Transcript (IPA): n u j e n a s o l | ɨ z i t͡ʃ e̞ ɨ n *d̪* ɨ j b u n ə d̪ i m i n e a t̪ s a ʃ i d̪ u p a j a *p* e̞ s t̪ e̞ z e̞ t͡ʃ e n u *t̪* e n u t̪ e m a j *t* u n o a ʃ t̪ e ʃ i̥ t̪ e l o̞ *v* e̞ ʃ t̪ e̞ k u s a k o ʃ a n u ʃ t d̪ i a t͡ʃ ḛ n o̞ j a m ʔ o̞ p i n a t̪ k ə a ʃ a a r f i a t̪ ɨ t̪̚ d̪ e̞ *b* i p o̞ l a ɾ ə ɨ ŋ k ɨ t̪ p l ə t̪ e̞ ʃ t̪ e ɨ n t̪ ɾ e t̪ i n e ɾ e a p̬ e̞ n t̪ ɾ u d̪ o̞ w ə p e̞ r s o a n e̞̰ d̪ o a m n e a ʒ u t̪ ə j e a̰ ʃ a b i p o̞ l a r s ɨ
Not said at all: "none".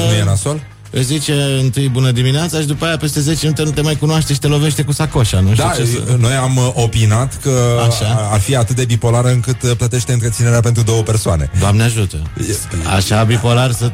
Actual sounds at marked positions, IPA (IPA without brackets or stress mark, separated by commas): t̪, p, t̪, k, v, b